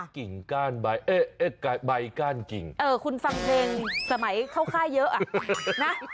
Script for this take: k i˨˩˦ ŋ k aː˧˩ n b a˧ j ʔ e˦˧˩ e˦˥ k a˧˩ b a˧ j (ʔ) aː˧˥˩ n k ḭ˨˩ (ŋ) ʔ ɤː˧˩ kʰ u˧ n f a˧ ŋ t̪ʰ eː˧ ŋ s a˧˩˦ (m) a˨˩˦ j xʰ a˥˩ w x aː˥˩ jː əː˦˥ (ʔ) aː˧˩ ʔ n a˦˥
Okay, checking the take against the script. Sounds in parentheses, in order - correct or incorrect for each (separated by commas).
incorrect, correct, correct, correct